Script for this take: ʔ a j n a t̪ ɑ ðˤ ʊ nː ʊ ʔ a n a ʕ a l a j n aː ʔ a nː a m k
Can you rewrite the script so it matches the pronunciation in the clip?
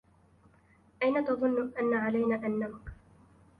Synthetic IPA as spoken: ʔ a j n a t̪ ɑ ðˤ ʊ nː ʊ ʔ a nː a ʕ a l a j n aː ʔ a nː a m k